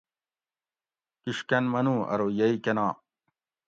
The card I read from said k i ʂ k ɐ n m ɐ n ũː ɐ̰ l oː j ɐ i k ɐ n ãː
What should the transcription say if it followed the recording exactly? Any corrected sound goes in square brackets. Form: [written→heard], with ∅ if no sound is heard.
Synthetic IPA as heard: k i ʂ k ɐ n m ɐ n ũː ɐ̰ [l→ɾ] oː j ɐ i k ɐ n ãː

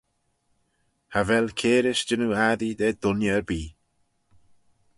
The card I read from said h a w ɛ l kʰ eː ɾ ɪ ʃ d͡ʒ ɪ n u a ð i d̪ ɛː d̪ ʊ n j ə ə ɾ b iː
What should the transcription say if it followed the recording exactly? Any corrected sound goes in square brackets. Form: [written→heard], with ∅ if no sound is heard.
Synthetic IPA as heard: h a [w→v] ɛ l kʰ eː ɾ ɪ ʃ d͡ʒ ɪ n u a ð i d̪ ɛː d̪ ʊ n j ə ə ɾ b iː

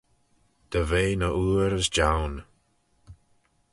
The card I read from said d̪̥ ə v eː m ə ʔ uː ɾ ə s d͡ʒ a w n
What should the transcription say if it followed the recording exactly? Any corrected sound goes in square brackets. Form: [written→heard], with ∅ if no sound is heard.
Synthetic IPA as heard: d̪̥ ə v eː [m→n] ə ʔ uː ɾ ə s d͡ʒ a w n

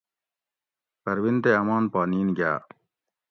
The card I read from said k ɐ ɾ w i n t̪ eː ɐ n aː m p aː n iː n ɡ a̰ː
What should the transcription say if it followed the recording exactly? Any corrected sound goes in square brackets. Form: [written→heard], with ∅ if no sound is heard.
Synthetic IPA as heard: [k→p] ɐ ɾ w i n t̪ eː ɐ [n→m] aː [m→n] p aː n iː n ɡ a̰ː

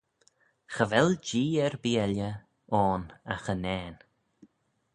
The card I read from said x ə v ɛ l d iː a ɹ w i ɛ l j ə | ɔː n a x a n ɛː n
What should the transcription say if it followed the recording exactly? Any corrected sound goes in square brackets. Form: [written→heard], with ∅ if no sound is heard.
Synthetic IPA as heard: x ə v ɛ l [d→d͡ʒ] iː [a→ɛ] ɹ [w→b] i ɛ l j ə | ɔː n a x [a→ə] n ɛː n

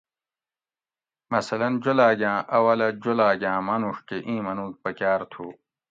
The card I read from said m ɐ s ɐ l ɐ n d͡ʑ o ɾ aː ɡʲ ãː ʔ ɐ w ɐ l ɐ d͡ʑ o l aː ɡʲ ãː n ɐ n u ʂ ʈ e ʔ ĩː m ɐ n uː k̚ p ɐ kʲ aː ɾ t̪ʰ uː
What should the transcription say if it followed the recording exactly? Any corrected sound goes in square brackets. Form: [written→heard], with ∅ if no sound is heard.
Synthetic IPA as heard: m ɐ s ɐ l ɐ n d͡ʑ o [ɾ→l] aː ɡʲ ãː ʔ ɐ w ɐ l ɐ d͡ʑ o l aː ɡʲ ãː [n→m] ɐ n u ʂ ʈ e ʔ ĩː m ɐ n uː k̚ p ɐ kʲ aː ɾ t̪ʰ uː

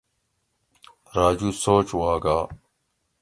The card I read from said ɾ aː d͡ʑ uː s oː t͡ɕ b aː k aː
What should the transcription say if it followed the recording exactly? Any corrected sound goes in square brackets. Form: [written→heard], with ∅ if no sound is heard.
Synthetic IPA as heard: ɾ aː d͡ʑ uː s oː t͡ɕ [b→w] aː [k→ɡ] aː

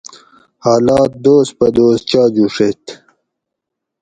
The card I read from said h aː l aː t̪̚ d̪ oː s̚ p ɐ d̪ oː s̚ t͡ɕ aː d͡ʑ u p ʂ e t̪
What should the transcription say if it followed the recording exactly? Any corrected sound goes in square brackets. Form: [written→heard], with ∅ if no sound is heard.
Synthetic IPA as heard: h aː l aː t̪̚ d̪ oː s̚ p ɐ d̪ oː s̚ t͡ɕ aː d͡ʑ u [p→∅] ʂ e t̪

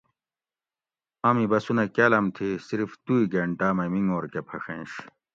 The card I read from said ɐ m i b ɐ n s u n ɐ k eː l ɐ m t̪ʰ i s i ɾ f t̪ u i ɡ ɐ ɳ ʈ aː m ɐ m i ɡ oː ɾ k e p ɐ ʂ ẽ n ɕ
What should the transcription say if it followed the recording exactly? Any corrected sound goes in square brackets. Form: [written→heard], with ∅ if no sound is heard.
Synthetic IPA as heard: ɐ m i b ɐ [n→∅] s u n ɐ k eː l ɐ m t̪ʰ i s i ɾ f t̪ u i ɡ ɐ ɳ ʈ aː m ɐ m i [ɡ→ŋ] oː ɾ k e [p→pʰ] ɐ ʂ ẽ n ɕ

